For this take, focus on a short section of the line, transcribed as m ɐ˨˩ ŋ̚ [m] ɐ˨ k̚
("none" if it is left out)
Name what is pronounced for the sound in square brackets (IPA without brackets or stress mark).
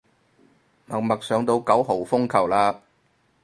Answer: m